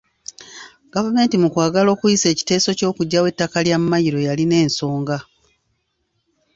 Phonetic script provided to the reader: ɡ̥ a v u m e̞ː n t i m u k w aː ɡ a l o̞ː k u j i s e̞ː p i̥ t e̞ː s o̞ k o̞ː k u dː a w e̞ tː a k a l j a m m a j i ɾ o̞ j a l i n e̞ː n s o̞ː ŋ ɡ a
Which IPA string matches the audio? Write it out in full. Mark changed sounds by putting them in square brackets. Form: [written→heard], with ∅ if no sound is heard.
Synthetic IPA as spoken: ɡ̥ a v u m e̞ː n t i m u k w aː ɡ a l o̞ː k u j i s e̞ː [p→c] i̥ t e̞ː s o̞ [k→c] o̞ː k u [dː→ɟː] a w e̞ tː a k a l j a m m a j i ɾ o̞ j a l i n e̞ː n s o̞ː ŋ ɡ a